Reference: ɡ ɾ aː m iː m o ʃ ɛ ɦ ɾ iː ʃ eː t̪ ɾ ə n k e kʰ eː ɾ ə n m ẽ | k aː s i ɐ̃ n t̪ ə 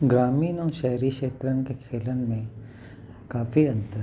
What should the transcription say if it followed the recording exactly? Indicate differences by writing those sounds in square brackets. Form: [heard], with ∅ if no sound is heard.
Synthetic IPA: ɡ ɾ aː m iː [n] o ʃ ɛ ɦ ɾ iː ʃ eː t̪ ɾ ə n k e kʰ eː [l] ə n m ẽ | k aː [f] i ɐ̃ n t̪ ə